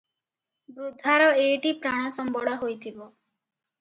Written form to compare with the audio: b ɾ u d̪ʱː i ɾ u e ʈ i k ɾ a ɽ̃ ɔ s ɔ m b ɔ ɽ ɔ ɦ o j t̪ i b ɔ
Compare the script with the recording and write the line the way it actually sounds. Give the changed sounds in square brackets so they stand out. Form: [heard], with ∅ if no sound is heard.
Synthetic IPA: b ɾ u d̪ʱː [a] ɾ [ɔ] e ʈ i [p] ɾ a ɽ̃ ɔ s ɔ m b ɔ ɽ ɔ ɦ o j [t̪ʰ] i b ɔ